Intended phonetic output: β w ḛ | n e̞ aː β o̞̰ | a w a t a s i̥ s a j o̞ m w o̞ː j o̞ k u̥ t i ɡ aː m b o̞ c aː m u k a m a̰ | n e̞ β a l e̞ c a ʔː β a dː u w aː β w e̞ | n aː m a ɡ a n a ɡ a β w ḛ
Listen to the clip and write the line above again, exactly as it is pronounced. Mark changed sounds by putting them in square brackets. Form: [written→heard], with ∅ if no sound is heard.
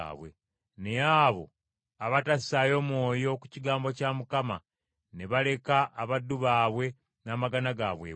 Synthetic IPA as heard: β w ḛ | n e̞ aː β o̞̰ | a [w→β] a t a s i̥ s a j o̞ m w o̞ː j o̞ k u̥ [t→c] i ɡ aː m b o̞ c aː m u k a m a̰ | n e̞ β a l e̞ [c→k] a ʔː β a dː u [w→β] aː β w e̞ | n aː m a ɡ a n a ɡ a β w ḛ